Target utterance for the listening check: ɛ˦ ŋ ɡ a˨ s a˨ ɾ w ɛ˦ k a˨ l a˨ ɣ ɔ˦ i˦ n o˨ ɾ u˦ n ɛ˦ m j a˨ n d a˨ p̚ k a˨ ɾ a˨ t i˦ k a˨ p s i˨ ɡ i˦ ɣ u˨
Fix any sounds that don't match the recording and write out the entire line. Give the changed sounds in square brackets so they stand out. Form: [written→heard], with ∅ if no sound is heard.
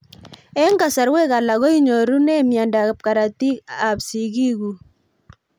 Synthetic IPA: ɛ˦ ŋ ɡ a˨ s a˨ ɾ w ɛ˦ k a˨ l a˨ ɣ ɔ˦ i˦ [n→ɲ] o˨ ɾ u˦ n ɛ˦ m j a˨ n d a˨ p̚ k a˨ ɾ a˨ t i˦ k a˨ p s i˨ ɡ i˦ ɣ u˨